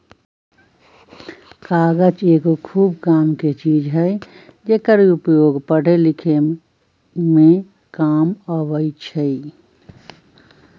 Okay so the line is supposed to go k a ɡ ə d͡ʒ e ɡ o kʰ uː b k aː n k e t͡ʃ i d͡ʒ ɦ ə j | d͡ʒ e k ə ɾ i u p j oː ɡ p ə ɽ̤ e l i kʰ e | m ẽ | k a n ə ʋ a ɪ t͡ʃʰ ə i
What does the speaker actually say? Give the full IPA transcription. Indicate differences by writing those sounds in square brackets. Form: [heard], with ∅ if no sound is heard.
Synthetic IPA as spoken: k a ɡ ə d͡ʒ e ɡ o kʰ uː b k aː [m] k e t͡ʃ i d͡ʒ ɦ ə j | d͡ʒ e k ə ɾ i u p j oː ɡ p ə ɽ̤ e l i kʰ e | m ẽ | k a [m] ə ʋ [ə] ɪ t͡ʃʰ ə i